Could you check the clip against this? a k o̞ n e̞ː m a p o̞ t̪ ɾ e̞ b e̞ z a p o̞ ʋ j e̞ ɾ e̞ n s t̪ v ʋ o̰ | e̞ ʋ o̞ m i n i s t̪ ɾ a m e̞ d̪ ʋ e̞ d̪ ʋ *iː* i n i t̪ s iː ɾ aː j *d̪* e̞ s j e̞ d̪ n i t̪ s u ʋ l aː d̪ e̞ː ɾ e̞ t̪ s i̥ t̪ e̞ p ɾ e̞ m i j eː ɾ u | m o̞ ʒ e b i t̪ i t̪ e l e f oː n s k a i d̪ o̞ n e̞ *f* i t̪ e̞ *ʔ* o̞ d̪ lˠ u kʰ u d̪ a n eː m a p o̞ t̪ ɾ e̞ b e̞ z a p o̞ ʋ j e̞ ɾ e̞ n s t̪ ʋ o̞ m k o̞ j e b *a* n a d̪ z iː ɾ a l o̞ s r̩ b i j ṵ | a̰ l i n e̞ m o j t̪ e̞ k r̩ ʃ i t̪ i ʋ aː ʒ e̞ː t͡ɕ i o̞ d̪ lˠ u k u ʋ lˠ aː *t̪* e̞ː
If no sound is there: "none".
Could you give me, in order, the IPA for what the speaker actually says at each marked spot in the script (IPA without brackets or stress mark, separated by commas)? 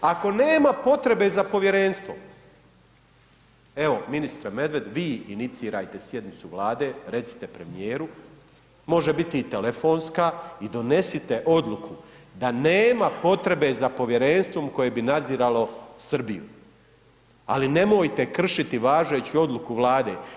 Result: iː, t̪, s, ʔ, i, d̪